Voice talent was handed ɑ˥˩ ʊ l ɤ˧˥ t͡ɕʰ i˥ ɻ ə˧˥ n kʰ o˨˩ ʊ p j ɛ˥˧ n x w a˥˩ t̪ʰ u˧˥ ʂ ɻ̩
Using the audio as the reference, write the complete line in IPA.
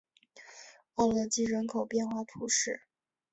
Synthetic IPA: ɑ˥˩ ʊ l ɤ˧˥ t͡ɕ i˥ ɻ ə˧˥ n kʰ o˨˩ ʊ p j ɛ˥˧ n x w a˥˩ t̪ʰ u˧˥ ʂ ɻ̩